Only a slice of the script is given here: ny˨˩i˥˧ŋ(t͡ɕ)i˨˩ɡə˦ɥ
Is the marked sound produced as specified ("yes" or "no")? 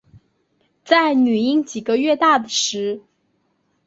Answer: yes